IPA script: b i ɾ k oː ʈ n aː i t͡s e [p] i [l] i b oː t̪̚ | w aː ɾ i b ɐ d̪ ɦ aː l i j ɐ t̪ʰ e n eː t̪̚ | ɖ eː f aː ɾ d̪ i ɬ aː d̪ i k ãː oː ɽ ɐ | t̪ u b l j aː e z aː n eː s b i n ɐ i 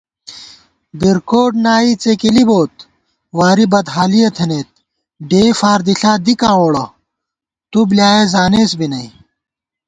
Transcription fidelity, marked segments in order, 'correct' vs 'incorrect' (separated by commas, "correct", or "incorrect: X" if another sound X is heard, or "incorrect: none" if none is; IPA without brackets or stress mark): incorrect: k, correct